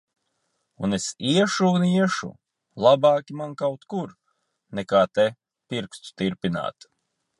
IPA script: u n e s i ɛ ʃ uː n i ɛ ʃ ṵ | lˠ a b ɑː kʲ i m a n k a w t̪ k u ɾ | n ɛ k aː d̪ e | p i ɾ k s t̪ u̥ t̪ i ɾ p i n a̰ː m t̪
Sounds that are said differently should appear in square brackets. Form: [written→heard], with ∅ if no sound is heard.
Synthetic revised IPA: u n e s i ɛ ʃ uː n i ɛ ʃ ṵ | lˠ a b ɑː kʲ i m a n k a w t̪ k u ɾ | n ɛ k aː [d̪→t̪] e | p i ɾ k s t̪ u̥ t̪ i ɾ p i n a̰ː [m→∅] t̪